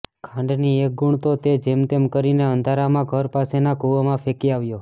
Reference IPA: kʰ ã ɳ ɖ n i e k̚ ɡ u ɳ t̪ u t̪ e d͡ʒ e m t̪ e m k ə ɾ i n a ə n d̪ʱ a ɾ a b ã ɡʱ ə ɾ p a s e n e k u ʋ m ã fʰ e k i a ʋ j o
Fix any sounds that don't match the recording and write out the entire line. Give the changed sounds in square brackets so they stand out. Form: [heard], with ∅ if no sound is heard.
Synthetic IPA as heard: kʰ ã ɳ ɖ n i e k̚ ɡ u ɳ t̪ [o] t̪ e d͡ʒ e m t̪ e m k ə ɾ i n [e] ə n d̪ʱ a ɾ a [m] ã ɡʱ ə ɾ p a s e n [a] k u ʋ m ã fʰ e k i a ʋ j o